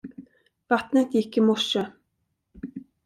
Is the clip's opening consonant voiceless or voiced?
voiced